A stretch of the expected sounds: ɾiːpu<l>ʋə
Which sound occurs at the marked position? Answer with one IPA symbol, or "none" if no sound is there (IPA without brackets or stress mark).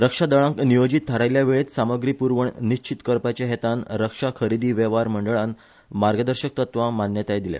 ɾ